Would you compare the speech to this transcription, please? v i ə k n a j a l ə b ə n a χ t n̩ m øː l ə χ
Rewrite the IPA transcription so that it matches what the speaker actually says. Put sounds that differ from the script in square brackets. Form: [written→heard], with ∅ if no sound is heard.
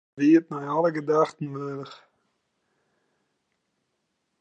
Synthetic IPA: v i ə [k→t] n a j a l ə [b→ɡ] ə [n→d] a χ t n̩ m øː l ə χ